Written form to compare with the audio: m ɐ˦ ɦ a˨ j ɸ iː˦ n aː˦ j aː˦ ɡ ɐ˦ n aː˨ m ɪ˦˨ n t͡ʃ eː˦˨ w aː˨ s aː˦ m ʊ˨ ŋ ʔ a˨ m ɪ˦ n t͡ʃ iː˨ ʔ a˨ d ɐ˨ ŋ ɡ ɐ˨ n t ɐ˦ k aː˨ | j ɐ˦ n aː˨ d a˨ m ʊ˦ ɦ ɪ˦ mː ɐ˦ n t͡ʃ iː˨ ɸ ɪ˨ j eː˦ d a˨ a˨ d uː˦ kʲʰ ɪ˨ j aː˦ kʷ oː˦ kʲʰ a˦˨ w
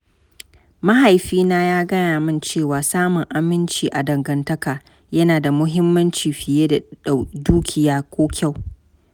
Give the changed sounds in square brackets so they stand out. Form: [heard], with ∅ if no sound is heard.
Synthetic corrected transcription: m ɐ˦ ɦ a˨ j ɸ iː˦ n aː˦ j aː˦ ɡ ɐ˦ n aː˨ m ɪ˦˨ n t͡ʃ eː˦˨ w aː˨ s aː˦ m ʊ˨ ŋ ʔ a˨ m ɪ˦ n t͡ʃ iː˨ ʔ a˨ d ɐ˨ ŋ ɡ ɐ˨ n t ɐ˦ k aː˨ | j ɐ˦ n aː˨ d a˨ m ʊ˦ ɦ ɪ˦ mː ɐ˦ n t͡ʃ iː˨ ɸ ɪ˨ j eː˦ d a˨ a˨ d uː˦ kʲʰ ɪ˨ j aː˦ kʷ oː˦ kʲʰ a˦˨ w

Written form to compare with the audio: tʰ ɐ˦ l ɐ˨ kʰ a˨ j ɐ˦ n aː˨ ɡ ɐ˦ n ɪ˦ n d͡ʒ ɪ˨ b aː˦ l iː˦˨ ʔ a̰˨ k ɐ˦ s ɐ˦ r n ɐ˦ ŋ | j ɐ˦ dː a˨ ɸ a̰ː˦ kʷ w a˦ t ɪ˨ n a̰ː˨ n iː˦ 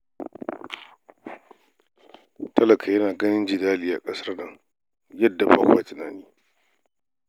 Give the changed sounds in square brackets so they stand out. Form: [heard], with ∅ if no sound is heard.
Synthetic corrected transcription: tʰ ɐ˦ l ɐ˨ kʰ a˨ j ɐ˦ n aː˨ ɡ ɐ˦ n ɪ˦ n d͡ʒ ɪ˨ [d] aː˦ l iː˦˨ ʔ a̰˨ [kʼ] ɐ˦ s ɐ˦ r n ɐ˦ ŋ | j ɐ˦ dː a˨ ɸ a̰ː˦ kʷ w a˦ t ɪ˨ n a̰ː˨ n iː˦

